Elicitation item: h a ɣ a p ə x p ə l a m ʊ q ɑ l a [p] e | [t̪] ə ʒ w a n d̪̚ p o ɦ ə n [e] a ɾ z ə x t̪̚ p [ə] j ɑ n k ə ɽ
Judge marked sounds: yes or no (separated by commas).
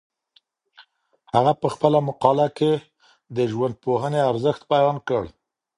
no, no, yes, no